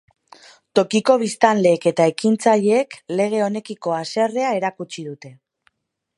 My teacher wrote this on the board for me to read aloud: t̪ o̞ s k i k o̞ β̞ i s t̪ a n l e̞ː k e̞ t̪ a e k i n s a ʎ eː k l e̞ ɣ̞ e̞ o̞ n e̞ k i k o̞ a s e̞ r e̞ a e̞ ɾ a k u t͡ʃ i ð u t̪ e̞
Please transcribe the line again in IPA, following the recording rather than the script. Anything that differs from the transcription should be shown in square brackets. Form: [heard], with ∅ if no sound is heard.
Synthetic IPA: t̪ o̞ [∅] k i k o̞ β̞ i s t̪ a n l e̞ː k e̞ t̪ a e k i n [t͡s] a ʎ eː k l e̞ ɣ̞ e̞ o̞ n e̞ k i k o̞ a s e̞ r e̞ a e̞ ɾ a k u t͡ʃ i ð u t̪ e̞